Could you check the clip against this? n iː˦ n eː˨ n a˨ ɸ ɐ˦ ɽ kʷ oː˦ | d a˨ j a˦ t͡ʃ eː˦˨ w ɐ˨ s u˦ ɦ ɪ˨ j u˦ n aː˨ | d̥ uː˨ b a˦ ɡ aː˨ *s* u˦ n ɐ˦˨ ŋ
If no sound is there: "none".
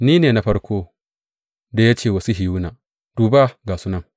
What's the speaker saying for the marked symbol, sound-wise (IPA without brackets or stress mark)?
s